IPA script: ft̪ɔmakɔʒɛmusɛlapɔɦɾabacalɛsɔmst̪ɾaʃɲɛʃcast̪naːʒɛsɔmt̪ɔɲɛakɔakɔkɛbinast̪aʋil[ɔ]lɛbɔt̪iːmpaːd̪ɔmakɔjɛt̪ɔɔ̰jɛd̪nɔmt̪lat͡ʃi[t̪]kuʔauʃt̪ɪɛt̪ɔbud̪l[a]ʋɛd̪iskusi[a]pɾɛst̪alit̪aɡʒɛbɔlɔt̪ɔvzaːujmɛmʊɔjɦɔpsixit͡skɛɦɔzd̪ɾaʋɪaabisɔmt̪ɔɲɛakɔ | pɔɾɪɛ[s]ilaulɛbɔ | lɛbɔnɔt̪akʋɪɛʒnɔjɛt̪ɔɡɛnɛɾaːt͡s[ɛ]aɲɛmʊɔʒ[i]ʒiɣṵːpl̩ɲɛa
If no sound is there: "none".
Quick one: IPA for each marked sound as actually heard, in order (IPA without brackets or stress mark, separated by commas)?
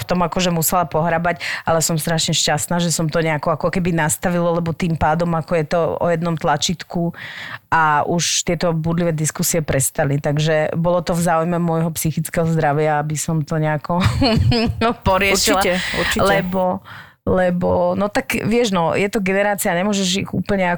ɔ, t̪, i, ɛ, ʃ, i, ɛ